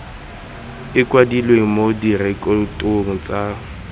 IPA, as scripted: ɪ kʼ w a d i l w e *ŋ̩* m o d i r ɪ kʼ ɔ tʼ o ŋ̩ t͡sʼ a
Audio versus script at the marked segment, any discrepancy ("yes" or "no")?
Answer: no